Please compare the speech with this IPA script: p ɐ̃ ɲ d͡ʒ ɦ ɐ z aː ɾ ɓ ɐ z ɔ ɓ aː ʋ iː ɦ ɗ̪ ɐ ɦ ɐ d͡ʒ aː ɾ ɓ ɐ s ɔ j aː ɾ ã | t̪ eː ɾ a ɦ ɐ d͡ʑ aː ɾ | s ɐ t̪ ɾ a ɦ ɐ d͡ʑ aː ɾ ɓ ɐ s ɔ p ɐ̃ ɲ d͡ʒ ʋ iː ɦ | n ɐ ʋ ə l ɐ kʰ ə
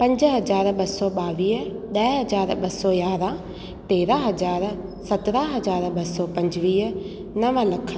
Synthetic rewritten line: p ɐ̃ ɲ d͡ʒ ɦ ɐ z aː ɾ ɓ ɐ s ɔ ɓ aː ʋ iː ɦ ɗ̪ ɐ ɦ ɐ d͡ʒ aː ɾ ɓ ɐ s ɔ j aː ɾ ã | t̪ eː ɾ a ɦ ɐ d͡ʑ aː ɾ | s ɐ t̪ ɾ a ɦ ɐ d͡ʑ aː ɾ ɓ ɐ s ɔ p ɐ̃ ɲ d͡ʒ ʋ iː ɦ | n ɐ ʋ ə l ɐ kʰ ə